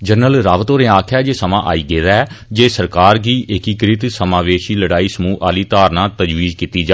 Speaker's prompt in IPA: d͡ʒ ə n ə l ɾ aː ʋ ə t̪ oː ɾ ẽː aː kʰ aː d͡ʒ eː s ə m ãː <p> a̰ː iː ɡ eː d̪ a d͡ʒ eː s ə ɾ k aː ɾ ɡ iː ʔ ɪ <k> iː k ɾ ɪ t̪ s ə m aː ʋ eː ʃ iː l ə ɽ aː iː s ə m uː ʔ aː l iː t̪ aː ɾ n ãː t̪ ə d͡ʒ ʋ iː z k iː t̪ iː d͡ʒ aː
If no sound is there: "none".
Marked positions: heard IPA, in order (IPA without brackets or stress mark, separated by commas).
ʔ, k